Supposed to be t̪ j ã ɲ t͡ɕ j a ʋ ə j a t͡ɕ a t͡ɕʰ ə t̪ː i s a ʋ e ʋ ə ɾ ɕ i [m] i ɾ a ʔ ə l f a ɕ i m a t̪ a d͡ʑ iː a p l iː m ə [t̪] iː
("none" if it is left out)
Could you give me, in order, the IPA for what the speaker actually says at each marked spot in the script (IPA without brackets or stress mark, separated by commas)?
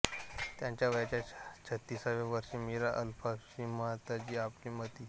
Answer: m, t̪